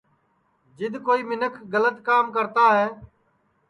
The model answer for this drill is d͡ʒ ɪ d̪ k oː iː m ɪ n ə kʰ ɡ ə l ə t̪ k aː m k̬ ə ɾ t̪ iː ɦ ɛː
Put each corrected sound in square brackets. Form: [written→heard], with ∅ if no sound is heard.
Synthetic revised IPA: d͡ʒ ɪ d̪ k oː iː m ɪ n ə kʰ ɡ ə l ə t̪ k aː m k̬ ə ɾ t̪ [iː→aː] ɦ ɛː